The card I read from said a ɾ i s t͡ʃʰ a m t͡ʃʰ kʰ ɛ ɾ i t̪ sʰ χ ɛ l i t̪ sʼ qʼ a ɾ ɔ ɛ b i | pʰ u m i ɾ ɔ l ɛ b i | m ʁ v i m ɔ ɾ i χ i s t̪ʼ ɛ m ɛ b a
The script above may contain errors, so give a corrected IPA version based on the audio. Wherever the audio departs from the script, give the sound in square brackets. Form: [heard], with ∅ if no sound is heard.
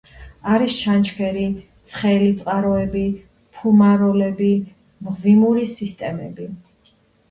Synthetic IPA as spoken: a ɾ i s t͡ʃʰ a [n] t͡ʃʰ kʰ ɛ ɾ i t̪ sʰ χ ɛ l i t̪ sʼ qʼ a ɾ ɔ ɛ b i | pʰ u m [a] ɾ ɔ l ɛ b i | m ʁ v i m [u] ɾ i [s] i s t̪ʼ ɛ m ɛ b [i]

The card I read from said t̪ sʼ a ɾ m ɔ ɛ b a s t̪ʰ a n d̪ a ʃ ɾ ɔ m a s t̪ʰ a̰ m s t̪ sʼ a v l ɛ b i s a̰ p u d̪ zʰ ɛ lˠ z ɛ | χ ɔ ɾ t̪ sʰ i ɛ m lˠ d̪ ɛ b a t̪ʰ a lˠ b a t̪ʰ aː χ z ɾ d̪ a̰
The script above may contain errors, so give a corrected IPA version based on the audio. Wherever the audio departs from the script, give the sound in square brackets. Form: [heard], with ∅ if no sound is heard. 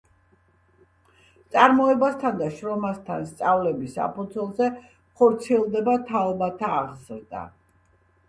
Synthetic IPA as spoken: t̪ sʼ a ɾ m ɔ ɛ b a s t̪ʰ a n d̪ a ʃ ɾ ɔ m a s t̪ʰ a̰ [n] s t̪ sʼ a v l ɛ b i s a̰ p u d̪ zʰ ɛ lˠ z ɛ | χ ɔ ɾ t̪ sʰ i ɛ [∅] lˠ d̪ ɛ b a t̪ʰ a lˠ b a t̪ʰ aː [ʁ] z ɾ d̪ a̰

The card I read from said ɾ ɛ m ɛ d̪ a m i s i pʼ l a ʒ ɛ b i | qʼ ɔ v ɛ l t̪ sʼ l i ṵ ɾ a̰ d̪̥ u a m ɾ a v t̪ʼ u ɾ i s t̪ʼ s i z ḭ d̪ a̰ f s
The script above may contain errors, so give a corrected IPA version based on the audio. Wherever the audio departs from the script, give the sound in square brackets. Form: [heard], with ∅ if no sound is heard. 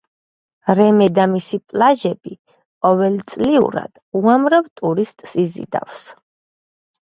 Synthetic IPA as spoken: ɾ ɛ m ɛ d̪ a m i s i pʼ l a ʒ ɛ b i | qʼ ɔ v ɛ l t̪ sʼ l i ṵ ɾ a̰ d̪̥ u a m ɾ a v t̪ʼ u ɾ i s t̪ʼ s i z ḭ d̪ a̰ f s

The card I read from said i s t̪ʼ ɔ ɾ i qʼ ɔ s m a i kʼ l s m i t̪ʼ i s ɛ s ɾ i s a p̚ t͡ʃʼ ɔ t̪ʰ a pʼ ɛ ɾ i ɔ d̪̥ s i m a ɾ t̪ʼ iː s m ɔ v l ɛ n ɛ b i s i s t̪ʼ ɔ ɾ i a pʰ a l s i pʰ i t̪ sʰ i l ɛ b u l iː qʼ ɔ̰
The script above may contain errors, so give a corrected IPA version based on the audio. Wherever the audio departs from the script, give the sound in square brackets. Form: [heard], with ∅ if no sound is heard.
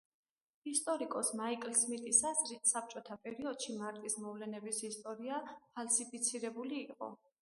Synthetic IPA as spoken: i s t̪ʼ ɔ ɾ i [kʼ] ɔ s m a i kʼ l s m i t̪ʼ i s [a] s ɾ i s a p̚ t͡ʃʼ ɔ t̪ʰ a pʼ ɛ ɾ i ɔ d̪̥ [ʃ] i m a ɾ t̪ʼ [i] s m ɔ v l ɛ n ɛ b i s i s t̪ʼ ɔ ɾ i a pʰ a l s i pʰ i t̪ sʰ i [ɾ] ɛ b u l iː qʼ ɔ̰

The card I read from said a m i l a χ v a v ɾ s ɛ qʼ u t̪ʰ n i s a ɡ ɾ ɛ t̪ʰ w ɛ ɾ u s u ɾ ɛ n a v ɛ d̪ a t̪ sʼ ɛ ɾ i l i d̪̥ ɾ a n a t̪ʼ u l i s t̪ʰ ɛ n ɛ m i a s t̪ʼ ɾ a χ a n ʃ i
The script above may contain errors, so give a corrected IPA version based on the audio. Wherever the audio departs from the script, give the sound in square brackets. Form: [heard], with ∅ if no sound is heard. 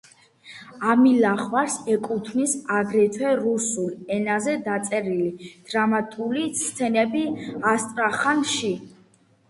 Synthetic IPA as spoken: a m i l a χ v a [∅] ɾ s ɛ [kʼ] u t̪ʰ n i s a ɡ ɾ ɛ t̪ʰ w ɛ ɾ u s u [l] ɛ n a [z] ɛ d̪ a t̪ sʼ ɛ ɾ i l i d̪̥ ɾ a [m] a t̪ʼ u l i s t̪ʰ ɛ n ɛ [b] i a s t̪ʼ ɾ a χ a n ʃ i

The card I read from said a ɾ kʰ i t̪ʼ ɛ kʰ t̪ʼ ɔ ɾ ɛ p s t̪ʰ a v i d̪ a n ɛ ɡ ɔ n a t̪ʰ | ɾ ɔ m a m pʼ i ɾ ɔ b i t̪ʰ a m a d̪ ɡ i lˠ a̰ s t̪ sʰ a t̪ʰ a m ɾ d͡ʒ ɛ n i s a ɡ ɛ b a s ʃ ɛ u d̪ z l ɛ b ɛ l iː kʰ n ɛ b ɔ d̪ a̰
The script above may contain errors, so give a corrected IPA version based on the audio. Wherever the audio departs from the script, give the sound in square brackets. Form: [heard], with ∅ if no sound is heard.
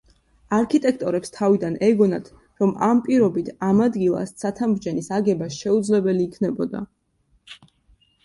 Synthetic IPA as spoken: a ɾ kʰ i t̪ʼ ɛ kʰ t̪ʼ ɔ ɾ ɛ p s t̪ʰ a v i d̪ a n ɛ ɡ ɔ n a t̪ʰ | ɾ ɔ m a m pʼ i ɾ ɔ b i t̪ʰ a m a d̪ ɡ i lˠ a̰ s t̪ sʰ a t̪ʰ a m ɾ d͡ʒ ɛ n i s a ɡ ɛ b a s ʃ ɛ u d̪ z l ɛ b ɛ l iː kʰ n ɛ b ɔ d̪ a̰

